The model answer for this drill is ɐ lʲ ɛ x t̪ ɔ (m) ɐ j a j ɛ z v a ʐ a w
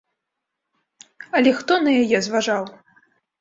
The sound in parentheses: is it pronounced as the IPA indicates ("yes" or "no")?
no